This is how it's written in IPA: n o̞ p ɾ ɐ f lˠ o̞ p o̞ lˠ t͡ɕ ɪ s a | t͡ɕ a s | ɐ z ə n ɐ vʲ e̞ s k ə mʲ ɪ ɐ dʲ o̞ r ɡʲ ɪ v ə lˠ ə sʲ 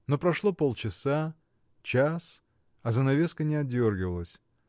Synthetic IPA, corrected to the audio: n o̞ p ɾ ɐ ʂ lˠ o̞ p o̞ lˠ t͡ɕ ɪ s a | t͡ɕ a s | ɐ z ə n ɐ vʲ e̞ s k ə nʲ ɪ ɐ dʲ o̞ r ɡʲ ɪ v ə lˠ ə sʲ